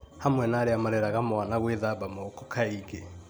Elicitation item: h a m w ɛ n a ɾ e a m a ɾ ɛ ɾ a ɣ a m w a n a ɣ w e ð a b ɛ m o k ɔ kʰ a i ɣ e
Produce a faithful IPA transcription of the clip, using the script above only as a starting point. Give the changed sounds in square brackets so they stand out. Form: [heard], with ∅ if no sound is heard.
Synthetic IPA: h a m w ɛ n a ɾ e a m a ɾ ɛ ɾ a ɣ a m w a n a ɣ w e ð a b [a] m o k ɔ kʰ a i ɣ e